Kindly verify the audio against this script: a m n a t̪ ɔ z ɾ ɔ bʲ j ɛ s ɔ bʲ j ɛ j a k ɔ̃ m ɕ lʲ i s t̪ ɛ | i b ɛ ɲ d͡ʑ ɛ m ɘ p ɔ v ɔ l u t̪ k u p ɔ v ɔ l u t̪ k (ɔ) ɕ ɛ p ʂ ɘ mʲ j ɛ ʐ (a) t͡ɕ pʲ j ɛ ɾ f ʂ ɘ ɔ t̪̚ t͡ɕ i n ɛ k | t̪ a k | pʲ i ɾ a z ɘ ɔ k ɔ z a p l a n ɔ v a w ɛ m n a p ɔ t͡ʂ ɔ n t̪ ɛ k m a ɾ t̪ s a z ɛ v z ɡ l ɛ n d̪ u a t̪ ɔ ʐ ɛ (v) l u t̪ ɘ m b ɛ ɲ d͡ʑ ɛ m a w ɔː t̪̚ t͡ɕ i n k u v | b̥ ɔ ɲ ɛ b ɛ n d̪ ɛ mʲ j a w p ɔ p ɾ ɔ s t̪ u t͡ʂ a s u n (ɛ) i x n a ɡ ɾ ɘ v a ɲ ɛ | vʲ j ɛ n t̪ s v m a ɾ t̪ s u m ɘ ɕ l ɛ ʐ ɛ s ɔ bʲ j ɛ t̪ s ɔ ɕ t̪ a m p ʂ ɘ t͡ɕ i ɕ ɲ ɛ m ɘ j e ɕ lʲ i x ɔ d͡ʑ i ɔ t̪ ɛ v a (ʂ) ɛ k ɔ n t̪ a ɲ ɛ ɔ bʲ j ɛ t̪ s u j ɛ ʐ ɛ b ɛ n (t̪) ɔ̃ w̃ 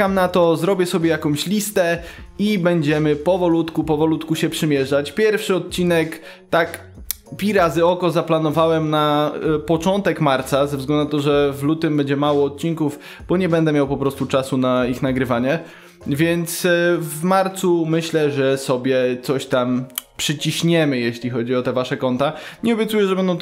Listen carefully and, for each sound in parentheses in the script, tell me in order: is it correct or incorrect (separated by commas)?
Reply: incorrect, correct, correct, incorrect, correct, incorrect